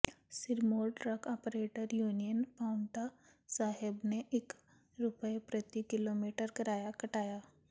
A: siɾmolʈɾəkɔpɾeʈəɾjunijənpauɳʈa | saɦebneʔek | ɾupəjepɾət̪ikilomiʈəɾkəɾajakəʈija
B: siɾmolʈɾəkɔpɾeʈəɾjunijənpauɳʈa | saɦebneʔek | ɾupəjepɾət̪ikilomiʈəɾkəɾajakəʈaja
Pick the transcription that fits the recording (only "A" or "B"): B